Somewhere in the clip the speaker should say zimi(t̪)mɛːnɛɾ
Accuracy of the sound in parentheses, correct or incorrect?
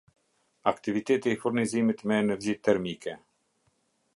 correct